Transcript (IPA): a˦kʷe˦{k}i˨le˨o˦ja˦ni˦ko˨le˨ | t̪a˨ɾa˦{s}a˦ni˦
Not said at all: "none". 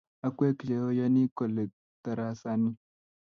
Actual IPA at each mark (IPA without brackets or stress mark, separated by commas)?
k, s